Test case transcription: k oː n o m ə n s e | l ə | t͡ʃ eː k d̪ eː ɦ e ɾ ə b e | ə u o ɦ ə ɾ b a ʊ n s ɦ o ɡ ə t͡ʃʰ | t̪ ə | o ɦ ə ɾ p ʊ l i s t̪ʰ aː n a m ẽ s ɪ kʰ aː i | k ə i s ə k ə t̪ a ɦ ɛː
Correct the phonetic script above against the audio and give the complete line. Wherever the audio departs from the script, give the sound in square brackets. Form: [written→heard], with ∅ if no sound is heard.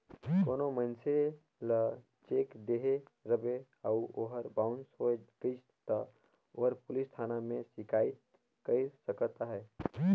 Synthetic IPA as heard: k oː n o m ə n s e | l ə | t͡ʃ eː k d̪ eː ɦ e ɾ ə b e | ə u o ɦ ə ɾ b a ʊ n s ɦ o ɡ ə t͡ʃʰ | t̪ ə | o ɦ ə ɾ p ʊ l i s t̪ʰ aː n a m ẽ s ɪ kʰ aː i | k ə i s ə k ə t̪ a ɦ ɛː